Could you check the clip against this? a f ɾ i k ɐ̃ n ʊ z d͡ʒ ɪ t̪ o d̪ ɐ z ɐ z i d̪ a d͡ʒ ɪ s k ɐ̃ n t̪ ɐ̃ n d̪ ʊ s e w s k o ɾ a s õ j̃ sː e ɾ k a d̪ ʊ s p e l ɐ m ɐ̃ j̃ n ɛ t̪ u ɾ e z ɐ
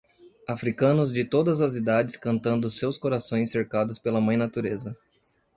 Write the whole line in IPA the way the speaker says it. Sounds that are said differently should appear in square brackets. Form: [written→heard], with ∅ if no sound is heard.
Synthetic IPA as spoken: a f ɾ i k ɐ̃ n ʊ z d͡ʒ ɪ t̪ o d̪ ɐ z ɐ z i d̪ a d͡ʒ ɪ s k ɐ̃ n t̪ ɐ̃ n d̪ ʊ s e w s k o ɾ a s õ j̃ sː e ɾ k a d̪ ʊ s p e l ɐ m ɐ̃ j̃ n [ɛ→a] t̪ u ɾ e z ɐ